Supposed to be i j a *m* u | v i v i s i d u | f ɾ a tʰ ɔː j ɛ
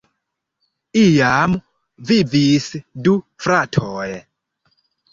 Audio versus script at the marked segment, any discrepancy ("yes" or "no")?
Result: no